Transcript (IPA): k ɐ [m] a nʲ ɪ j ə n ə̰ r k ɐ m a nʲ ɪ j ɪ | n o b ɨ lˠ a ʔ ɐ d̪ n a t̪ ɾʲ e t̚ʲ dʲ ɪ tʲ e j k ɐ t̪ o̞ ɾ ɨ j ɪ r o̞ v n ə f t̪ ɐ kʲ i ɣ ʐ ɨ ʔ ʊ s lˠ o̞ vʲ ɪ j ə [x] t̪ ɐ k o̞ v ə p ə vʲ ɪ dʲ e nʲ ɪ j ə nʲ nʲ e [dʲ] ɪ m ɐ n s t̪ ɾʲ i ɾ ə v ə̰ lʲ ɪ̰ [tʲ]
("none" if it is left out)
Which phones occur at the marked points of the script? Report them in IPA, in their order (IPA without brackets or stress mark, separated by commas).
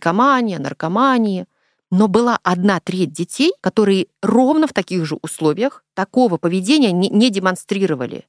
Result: m, x, dʲ, none